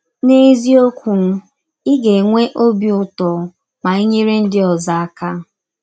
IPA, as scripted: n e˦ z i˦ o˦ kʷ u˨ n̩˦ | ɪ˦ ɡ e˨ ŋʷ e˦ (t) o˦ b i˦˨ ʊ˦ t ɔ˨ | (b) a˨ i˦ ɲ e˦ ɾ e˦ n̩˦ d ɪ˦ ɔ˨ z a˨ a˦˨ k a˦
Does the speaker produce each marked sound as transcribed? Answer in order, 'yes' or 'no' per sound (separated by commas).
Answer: no, no